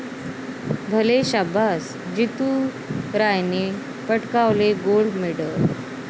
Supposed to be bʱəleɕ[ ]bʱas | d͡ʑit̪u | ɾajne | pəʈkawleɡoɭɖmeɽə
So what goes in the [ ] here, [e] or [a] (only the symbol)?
a